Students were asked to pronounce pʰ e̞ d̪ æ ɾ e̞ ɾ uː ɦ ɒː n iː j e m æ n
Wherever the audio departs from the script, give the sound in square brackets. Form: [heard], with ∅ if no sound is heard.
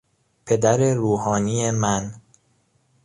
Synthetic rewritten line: pʰ e̞ d̪ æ ɾ e̞ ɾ uː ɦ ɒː n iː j e m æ n